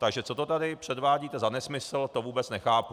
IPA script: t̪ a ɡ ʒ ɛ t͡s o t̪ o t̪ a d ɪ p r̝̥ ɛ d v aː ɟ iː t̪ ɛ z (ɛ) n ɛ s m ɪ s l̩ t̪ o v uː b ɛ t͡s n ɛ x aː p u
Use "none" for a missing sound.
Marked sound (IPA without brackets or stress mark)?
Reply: a